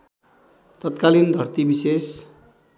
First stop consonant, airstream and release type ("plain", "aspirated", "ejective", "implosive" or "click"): plain